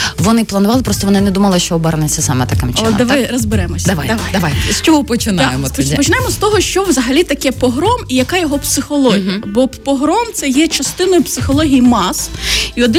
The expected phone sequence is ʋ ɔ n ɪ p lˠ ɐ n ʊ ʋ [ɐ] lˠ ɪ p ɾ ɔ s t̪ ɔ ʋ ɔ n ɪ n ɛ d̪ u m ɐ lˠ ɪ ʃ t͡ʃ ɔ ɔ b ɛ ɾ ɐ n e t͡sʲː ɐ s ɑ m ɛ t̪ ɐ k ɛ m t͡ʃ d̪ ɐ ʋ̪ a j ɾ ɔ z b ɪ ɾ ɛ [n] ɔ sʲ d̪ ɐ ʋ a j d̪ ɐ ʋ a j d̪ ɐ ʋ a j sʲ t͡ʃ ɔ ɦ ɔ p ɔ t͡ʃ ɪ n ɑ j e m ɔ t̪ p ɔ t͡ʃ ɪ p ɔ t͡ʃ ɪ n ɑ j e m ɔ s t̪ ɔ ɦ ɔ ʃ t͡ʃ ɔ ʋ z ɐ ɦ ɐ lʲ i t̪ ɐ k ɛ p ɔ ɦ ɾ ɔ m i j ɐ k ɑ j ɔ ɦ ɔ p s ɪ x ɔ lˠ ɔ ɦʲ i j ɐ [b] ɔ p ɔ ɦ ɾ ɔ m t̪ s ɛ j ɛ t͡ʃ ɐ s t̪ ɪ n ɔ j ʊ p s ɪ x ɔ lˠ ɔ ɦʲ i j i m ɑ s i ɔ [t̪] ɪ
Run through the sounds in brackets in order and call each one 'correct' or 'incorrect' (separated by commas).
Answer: incorrect, incorrect, correct, incorrect